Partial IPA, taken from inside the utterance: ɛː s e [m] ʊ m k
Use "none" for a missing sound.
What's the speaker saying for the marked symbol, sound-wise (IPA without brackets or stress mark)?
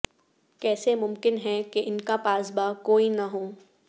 m